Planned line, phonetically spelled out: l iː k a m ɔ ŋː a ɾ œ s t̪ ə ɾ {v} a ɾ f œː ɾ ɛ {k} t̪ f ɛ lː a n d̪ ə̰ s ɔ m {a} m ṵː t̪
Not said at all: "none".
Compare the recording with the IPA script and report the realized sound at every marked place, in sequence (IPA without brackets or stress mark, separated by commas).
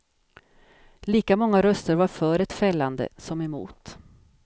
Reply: v, none, ɛ